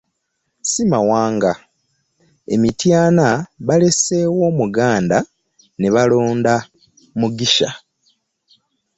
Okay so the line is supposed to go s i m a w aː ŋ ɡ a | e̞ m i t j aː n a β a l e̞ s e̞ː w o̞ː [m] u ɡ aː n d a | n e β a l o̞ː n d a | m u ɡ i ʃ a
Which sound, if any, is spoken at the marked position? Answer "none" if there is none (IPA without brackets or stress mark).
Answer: m